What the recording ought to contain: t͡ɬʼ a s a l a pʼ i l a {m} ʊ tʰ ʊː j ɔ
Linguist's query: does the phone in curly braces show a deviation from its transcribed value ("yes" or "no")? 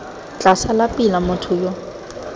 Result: no